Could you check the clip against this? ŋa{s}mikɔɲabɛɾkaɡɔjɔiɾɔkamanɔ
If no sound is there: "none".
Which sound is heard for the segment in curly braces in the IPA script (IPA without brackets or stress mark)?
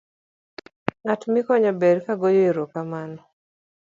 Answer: t